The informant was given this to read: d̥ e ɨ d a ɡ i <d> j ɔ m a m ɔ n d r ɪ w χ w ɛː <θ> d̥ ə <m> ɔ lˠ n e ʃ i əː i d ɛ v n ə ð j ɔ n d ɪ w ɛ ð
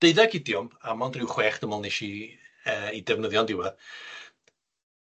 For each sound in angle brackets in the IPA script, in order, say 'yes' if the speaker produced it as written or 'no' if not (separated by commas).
yes, no, yes